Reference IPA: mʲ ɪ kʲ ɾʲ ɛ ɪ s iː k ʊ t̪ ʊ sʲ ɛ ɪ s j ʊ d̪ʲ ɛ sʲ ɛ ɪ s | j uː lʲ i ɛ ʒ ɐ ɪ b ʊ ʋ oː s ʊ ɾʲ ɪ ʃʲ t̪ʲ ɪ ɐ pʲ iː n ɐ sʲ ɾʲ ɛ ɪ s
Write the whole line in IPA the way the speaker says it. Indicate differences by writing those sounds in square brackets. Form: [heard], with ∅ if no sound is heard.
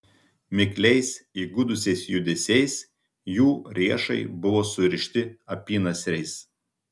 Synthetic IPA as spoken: mʲ ɪ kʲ [lʲ] ɛ ɪ s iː [ɡ] ʊ [d̪] ʊ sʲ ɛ ɪ s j ʊ d̪ʲ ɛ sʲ ɛ ɪ s | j uː [ɾʲ] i ɛ [ʃ] ɐ ɪ b ʊ ʋ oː s ʊ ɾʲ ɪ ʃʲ t̪ʲ ɪ ɐ pʲ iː n ɐ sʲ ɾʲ ɛ ɪ s